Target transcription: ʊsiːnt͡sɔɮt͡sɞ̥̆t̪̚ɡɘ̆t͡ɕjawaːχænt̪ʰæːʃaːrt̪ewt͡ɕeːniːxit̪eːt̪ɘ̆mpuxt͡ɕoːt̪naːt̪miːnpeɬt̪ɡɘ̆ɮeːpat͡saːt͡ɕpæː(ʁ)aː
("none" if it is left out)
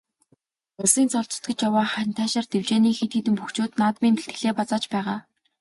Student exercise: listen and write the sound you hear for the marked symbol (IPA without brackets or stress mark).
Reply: ʁ